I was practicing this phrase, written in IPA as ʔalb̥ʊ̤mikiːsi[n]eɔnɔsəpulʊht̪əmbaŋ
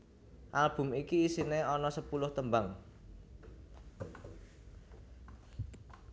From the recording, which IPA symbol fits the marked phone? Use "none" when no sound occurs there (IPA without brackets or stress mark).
n